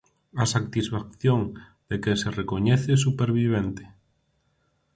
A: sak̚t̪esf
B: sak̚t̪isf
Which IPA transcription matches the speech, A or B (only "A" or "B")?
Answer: B